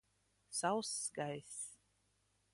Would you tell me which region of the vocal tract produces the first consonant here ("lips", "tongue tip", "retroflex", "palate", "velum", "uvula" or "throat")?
tongue tip